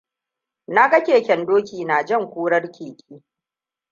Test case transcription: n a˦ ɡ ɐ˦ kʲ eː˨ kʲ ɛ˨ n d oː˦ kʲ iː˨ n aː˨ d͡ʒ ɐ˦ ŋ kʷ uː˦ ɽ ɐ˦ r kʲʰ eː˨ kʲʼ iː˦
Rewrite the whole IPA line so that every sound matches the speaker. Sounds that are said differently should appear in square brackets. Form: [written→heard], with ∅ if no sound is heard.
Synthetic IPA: n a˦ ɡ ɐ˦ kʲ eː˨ kʲ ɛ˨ n d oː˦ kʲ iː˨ n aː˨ d͡ʒ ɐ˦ ŋ kʷ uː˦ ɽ ɐ˦ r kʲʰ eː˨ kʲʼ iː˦